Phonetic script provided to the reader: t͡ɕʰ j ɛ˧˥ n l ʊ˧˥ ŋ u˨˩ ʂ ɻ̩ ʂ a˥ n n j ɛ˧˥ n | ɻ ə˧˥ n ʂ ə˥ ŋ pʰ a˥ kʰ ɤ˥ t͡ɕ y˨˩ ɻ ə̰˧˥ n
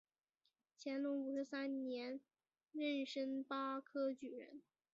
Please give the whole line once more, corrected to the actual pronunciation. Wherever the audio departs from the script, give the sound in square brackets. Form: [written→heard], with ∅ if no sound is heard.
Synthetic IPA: t͡ɕʰ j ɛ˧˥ n l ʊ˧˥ ŋ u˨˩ ʂ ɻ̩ [ʂ→s] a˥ n n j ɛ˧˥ n | ɻ [ə˧˥→ə˥˩] n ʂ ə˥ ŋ [pʰ→p] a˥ kʰ ɤ˥ t͡ɕ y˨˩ ɻ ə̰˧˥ n

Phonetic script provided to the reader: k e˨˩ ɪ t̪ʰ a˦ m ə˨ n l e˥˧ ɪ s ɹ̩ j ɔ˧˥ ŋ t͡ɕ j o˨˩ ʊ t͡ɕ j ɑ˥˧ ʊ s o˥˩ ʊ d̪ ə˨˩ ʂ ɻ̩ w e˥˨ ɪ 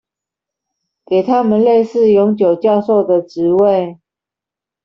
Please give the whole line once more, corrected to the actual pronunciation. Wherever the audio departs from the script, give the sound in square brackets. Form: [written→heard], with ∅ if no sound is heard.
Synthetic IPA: k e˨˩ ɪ t̪ʰ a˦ m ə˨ n l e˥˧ ɪ s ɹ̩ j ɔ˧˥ ŋ t͡ɕ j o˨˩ ʊ t͡ɕ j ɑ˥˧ ʊ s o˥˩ ʊ d̪ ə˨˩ [ʂ→ʈ͡ʂ] ɻ̩ w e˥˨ ɪ

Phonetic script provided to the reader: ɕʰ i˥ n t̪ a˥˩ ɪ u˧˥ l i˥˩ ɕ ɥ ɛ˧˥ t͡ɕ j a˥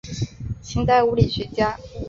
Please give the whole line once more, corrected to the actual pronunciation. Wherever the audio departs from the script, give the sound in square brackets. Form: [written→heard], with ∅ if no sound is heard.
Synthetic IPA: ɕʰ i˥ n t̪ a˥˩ ɪ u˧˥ l [i˥˩→i˨˩] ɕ ɥ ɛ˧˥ t͡ɕ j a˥

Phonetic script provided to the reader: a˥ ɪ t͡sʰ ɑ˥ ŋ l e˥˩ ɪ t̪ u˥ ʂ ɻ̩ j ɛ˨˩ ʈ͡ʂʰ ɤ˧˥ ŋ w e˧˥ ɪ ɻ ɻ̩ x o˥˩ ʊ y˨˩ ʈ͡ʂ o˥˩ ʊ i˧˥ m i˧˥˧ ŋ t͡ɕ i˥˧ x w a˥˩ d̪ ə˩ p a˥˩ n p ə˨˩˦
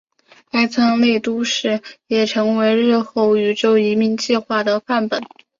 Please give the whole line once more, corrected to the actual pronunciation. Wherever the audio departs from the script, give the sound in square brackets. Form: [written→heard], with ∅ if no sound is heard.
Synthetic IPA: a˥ ɪ t͡sʰ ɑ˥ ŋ l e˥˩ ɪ t̪ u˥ ʂ ɻ̩ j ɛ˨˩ ʈ͡ʂʰ ɤ˧˥ ŋ w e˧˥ ɪ ɻ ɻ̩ x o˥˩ ʊ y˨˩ ʈ͡ʂ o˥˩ ʊ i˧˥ m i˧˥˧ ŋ t͡ɕ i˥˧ x w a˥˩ d̪ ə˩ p a˥˩ n p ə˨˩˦

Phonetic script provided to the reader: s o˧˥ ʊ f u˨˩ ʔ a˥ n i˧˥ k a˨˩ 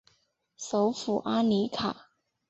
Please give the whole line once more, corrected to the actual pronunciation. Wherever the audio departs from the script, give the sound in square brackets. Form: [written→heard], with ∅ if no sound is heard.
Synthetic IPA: s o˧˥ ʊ f u˨˩ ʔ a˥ n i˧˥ [k→kʰ] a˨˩

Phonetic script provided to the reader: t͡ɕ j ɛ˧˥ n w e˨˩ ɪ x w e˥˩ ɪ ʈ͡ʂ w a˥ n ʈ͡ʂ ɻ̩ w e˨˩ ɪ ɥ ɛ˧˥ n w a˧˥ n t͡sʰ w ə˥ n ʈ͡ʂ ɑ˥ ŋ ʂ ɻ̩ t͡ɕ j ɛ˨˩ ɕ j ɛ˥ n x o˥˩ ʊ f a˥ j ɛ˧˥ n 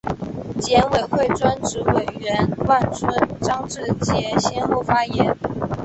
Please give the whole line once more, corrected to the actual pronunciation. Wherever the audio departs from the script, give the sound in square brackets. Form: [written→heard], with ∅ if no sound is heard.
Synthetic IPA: t͡ɕ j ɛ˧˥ n w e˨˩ ɪ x w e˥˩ ɪ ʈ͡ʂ w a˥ n ʈ͡ʂ ɻ̩ w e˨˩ ɪ ɥ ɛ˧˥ n w [a˧˥→a˥˩] n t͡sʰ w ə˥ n ʈ͡ʂ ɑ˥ ŋ [ʂ→ʈ͡ʂ] ɻ̩ t͡ɕ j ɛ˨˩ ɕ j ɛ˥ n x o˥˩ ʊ f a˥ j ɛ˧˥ n

